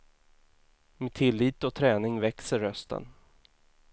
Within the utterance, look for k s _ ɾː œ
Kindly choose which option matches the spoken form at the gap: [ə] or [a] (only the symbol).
ə